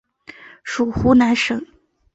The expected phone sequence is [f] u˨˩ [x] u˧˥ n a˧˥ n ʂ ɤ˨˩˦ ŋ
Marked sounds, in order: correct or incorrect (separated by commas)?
incorrect, correct